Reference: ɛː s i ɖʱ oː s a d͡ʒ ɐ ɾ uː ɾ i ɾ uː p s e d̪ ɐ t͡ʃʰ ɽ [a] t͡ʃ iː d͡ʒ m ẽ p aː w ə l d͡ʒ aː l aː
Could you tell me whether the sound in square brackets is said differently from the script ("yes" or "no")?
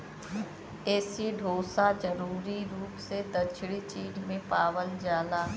yes